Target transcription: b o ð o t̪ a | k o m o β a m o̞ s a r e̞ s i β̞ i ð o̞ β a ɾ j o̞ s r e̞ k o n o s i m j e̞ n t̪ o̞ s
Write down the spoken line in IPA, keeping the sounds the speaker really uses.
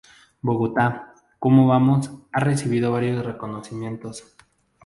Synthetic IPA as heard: b o ɣ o t̪ a | k o m o β a m o̞ s a r e̞ s i β̞ i ð o̞ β a ɾ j o̞ s r e̞ k o n o s i m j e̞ n t̪ o̞ s